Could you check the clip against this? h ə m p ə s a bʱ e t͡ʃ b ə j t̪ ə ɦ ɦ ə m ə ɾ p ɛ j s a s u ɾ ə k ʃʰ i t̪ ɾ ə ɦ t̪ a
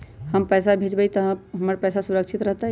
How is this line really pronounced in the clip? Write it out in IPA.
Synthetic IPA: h ə m p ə s a bʱ e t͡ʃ b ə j t̪ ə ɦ ɦ ə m ə ɾ p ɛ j s a s u ɾ ə k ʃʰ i t̪ ɾ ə ɦ t̪ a